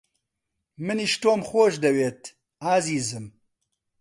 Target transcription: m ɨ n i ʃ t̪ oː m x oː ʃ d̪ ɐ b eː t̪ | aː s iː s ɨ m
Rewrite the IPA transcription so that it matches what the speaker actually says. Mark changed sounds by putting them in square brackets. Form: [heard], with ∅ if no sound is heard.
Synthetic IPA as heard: m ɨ n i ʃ t̪ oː m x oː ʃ d̪ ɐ [w] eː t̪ | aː [z] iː [z] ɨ m